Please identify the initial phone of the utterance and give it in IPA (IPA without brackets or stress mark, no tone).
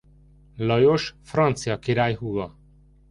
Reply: l